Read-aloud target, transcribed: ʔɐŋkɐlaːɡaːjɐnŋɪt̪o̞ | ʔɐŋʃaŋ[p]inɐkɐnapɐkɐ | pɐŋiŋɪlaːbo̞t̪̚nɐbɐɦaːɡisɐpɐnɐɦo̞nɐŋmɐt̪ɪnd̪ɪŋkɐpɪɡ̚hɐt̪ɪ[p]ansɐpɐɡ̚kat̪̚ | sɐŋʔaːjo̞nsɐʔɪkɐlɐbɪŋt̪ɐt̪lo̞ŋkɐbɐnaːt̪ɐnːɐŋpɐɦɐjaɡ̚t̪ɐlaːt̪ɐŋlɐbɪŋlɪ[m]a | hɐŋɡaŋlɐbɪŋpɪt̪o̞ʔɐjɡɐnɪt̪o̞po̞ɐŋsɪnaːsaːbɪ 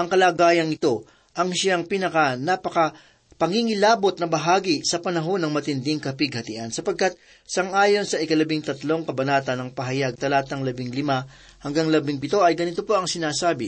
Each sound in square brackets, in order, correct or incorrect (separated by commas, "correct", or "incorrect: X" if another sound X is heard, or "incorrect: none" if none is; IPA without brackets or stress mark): correct, incorrect: ʔ, correct